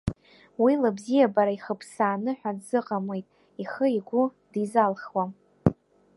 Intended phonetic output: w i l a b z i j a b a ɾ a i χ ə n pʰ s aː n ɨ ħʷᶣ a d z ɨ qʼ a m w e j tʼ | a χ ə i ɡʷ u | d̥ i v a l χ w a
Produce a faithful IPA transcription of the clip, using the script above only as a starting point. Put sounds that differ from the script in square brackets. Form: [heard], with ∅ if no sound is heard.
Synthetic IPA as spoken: w i l a b z i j a b a ɾ a i χ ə [∅] pʰ s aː n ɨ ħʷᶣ a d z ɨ qʼ a m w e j tʼ | [i] χ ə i ɡʷ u | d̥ i [z] a l χ w a